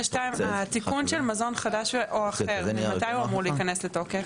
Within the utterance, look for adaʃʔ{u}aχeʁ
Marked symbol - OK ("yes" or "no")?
no